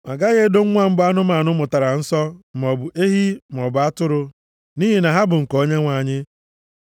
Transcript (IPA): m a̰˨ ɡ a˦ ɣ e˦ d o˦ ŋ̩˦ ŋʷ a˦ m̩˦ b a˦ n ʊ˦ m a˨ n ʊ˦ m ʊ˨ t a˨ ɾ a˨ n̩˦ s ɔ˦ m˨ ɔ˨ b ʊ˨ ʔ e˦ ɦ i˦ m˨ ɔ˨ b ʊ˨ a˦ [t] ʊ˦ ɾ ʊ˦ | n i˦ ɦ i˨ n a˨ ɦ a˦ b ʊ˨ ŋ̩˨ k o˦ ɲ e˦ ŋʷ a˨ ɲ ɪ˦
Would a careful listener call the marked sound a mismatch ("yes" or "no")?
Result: no